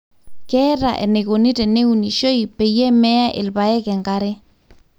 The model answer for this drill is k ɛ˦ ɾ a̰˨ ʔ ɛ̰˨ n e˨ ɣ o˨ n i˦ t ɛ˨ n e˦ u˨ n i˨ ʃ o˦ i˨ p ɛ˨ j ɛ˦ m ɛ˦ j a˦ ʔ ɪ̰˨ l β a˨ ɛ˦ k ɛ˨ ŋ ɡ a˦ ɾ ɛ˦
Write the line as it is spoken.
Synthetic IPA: k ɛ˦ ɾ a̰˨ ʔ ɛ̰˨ n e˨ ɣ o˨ n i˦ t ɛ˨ n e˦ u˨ n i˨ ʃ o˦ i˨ p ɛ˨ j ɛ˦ m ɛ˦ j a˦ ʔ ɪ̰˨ l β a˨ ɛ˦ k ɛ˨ ŋ ɡ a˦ ɾ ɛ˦